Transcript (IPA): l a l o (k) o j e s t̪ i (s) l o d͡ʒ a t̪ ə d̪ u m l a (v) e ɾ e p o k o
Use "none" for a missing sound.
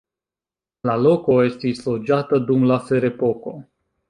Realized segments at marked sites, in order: k, s, f

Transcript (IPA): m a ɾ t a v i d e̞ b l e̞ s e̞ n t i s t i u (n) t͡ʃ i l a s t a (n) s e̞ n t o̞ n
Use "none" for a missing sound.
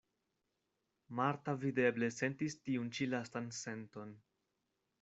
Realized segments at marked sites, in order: n, n

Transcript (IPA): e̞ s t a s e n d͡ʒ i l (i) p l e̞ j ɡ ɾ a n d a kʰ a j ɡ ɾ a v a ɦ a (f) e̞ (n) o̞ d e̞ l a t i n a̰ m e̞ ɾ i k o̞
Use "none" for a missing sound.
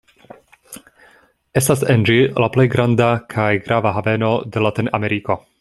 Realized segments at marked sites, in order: a, v, n

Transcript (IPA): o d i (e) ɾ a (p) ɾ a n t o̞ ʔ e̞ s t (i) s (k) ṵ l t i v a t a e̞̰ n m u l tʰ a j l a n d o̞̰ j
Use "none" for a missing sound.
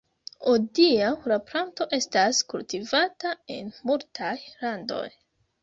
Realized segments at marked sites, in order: a, p, a, k

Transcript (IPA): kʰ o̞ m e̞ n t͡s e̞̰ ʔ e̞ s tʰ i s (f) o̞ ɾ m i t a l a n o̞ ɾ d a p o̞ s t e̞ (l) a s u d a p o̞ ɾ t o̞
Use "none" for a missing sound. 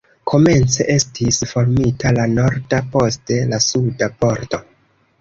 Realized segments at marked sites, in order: f, l

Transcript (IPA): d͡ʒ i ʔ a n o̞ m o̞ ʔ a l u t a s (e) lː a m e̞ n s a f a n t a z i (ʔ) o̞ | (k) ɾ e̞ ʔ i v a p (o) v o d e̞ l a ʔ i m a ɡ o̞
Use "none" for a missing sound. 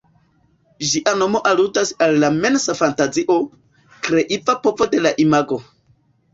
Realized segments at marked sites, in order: a, ʔ, k, o

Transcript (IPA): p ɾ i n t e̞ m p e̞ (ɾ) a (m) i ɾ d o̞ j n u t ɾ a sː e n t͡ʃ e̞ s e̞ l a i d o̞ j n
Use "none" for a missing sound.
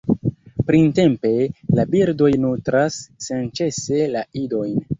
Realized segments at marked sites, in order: l, b

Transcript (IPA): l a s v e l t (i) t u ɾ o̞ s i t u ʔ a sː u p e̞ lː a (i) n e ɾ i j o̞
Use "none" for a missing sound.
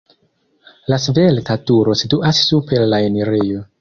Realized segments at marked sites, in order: a, e

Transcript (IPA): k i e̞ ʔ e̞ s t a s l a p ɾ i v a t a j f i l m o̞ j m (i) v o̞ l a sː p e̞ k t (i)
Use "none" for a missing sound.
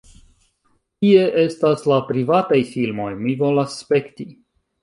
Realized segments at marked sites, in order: i, i

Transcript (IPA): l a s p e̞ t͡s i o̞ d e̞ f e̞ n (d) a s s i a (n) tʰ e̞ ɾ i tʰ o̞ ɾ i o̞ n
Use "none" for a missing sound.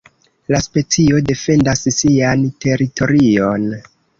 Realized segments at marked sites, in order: d, n

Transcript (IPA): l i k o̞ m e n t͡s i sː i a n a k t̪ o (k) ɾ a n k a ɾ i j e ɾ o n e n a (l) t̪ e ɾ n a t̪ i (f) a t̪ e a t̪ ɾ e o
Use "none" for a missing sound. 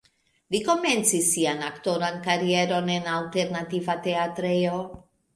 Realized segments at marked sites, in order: none, l, v

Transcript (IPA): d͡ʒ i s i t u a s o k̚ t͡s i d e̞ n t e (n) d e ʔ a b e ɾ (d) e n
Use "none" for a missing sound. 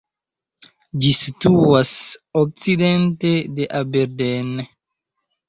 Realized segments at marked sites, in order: none, d

